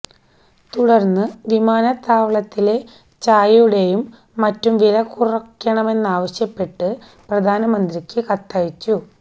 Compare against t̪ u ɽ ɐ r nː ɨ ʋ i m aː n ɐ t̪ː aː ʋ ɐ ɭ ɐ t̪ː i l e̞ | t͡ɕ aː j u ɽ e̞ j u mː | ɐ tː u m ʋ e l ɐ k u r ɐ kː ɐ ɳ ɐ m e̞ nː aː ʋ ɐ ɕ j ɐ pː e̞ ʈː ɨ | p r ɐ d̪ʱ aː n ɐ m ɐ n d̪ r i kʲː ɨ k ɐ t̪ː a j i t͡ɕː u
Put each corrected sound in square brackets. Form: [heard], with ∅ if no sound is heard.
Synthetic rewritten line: t̪ u ɽ ɐ r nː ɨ ʋ i m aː n ɐ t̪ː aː ʋ ɐ ɭ ɐ t̪ː i l e̞ | t͡ɕ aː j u ɽ e̞ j u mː | ɐ tː u m ʋ [i] l ɐ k u r ɐ kː ɐ ɳ ɐ m e̞ nː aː ʋ ɐ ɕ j ɐ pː e̞ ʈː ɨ | p r ɐ d̪ʱ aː n ɐ m ɐ n d̪ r i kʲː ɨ k ɐ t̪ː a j i t͡ɕː u